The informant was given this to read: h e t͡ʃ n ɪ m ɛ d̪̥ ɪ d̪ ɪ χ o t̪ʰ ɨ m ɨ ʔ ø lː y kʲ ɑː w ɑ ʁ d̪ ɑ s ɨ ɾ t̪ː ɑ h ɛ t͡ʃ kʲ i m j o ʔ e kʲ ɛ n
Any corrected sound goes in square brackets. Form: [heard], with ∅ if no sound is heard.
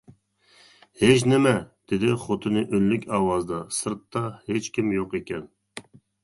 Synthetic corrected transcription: h e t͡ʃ n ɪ m ɛ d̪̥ ɪ d̪ ɪ χ o t̪ʰ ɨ [n] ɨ ʔ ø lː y kʲ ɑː w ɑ [z] d̪ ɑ s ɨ ɾ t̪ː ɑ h [e] t͡ʃ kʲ i m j o [q] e kʲ ɛ n